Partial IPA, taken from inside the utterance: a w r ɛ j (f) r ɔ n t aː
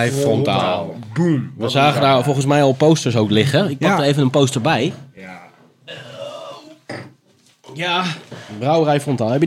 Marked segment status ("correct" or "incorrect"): correct